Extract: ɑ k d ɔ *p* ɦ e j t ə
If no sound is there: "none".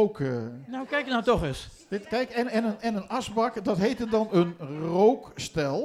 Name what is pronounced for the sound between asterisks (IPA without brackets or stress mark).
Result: t